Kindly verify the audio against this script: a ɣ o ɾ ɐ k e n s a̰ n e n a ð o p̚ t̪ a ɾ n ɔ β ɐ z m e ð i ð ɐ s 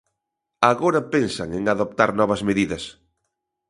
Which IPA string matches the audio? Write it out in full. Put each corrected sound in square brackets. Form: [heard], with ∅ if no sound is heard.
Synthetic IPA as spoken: a ɣ o ɾ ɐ [p] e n s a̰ [ŋ] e [ŋ] a ð o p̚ t̪ a ɾ n ɔ β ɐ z m e ð i ð ɐ s